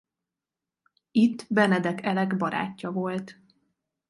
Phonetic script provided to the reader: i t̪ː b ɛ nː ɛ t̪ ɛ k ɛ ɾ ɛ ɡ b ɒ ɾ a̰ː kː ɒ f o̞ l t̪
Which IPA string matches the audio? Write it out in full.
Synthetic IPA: i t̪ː b ɛ n ɛ d̪ ɛ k ɛ l ɛ ɡ b ɒ ɾ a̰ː cː ɒ v o̞ l t̪